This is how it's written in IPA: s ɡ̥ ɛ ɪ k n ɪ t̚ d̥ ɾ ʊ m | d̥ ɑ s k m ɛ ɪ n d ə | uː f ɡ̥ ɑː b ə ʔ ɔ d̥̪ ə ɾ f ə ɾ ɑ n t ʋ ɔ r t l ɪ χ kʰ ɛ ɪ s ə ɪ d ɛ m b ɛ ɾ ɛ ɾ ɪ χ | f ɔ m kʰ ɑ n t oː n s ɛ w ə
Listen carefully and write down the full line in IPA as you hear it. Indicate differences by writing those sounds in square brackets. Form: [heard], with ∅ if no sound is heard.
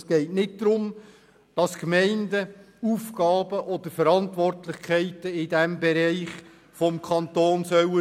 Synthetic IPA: s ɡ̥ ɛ ɪ [t] n ɪ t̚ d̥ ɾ ʊ m | d̥ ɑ s k m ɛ ɪ n d ə | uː f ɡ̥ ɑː b ə ʔ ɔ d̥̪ ə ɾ f ə ɾ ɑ n t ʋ ɔ r t l ɪ χ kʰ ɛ ɪ [t] ə ɪ d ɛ m b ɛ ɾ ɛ [∅] ɪ χ | f ɔ m kʰ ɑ n t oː n s [œ] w ə

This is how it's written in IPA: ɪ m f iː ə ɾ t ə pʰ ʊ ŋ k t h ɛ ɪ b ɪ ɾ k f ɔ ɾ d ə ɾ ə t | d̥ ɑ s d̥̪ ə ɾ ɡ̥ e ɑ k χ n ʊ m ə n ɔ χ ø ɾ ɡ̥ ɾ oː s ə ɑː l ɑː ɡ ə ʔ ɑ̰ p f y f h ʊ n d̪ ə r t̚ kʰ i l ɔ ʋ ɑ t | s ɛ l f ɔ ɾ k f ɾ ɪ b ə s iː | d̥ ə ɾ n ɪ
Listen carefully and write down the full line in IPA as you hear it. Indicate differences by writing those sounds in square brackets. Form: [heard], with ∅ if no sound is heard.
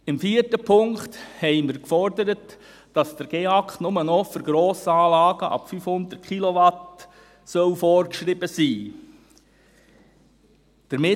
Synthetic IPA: ɪ m f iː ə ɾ t ə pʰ ʊ ŋ k t h ɛ ɪ [m] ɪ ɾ k f ɔ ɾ d ə ɾ ə t | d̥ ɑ s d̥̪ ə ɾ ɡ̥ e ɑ k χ n ʊ m ə n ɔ [f] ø ɾ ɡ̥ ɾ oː s ə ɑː l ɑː ɡ ə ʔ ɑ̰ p f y f h ʊ n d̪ ə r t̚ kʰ i l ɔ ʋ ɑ t | s [œ] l f ɔ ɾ k [ʃ] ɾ ɪ b ə s iː | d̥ ə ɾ [m] ɪ

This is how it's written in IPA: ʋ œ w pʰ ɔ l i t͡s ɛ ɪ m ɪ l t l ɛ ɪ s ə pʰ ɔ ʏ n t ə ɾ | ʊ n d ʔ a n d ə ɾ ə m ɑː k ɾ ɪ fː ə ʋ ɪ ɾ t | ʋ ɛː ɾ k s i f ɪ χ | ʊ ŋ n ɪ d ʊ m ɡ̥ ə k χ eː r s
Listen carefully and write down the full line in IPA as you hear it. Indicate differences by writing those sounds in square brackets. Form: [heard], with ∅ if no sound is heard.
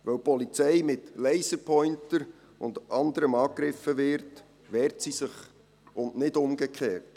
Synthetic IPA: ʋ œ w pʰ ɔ l i t͡s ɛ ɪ m ɪ [∅] t l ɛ ɪ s ə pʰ ɔ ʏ n t ə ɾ | ʊ n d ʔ [ɑ] n d ə ɾ ə m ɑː k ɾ ɪ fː ə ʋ ɪ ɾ t | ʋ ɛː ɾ [t] s i [s] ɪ χ | ʊ [n] n ɪ d ʊ m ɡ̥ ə k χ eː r [t]

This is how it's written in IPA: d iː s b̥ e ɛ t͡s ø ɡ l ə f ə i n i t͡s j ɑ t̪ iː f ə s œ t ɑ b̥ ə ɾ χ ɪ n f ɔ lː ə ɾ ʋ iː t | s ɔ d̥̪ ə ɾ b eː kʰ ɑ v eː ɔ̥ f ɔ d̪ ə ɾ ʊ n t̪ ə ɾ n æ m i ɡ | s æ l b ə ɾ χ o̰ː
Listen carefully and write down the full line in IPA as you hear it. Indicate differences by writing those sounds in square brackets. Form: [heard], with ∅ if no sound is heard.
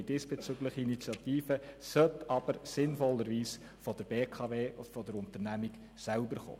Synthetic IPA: d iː s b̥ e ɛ t͡s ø ɡ l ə [χ] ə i n i t͡s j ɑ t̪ iː f ə s œ t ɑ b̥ ə ɾ [s] ɪ n f ɔ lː ə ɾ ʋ iː [s] | [f] ɔ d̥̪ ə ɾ b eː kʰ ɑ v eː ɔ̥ f ɔ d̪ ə ɾ ʊ n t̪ ə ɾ n æ m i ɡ | s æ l b ə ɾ χ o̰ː

